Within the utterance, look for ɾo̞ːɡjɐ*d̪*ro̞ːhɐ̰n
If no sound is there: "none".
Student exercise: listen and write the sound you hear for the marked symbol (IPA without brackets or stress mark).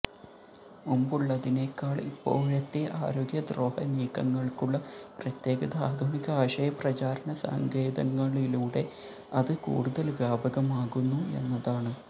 d̪